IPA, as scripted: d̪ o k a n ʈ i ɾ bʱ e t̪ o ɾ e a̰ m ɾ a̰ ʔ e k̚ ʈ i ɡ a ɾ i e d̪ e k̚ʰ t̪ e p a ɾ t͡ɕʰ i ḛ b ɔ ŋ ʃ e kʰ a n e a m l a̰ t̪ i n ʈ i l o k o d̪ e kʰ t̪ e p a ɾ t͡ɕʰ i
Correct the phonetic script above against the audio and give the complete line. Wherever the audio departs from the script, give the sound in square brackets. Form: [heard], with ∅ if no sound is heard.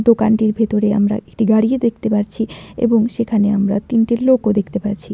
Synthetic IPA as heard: d̪ o k a n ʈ i ɾ bʱ e t̪ o ɾ e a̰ m ɾ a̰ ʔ e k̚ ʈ i ɡ a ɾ i e d̪ e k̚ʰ t̪ e p a ɾ t͡ɕʰ i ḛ b [o] ŋ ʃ e kʰ a n e a m [ɾ] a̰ t̪ i n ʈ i l o k o d̪ e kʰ t̪ e p a ɾ t͡ɕʰ i

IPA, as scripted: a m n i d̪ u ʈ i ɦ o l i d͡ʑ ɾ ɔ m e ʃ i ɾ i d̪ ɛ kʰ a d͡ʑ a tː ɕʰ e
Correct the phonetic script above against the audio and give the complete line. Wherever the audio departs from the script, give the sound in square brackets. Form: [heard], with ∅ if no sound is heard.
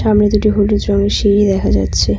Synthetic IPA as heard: a m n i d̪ u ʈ i ɦ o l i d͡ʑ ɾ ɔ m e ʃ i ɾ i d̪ ɛ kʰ a d͡ʑ a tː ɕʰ e

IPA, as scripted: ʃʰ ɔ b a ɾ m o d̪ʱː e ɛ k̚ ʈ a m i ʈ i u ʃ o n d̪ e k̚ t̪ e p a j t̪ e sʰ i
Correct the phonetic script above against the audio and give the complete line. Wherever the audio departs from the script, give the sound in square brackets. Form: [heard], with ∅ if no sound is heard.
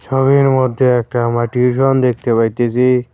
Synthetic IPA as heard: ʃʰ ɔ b [i] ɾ m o d̪ʱː e ɛ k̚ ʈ a m [a] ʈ i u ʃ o n d̪ e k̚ t̪ e p a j t̪ e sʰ i

